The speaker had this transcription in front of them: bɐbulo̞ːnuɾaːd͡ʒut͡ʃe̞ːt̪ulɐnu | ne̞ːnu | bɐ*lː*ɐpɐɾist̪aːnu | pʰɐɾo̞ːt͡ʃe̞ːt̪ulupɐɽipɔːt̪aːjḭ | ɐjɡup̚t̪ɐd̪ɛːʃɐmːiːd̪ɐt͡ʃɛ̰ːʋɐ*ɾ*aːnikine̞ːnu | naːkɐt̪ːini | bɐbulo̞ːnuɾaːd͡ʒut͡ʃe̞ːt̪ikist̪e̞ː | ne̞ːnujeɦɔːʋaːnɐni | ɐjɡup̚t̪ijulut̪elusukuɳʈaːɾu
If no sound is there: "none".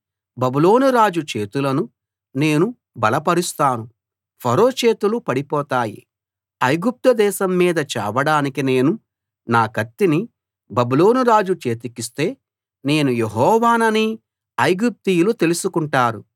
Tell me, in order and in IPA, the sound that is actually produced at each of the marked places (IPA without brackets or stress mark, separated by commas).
l, ɽ